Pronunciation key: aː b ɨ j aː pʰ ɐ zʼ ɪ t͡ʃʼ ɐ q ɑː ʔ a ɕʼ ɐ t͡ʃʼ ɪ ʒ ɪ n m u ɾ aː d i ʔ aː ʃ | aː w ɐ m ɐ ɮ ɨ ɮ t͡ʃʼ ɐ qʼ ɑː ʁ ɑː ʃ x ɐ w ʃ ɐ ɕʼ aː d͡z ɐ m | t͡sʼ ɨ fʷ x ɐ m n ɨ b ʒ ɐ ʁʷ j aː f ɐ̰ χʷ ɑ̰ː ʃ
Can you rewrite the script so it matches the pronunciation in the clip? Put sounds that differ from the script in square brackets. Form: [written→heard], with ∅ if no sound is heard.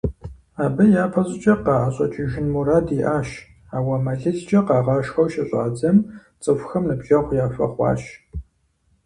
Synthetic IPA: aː b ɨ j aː pʰ ɐ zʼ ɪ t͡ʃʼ ɐ q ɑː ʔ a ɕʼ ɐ t͡ʃʼ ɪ ʒ ɪ n m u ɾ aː d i ʔ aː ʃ | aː w ɐ m ɐ ɮ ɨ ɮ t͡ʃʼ ɐ [qʼ→q] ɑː ʁ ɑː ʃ x ɐ w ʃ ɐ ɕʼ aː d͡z ɐ m | t͡sʼ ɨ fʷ x ɐ m n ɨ b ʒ ɐ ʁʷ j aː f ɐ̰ χʷ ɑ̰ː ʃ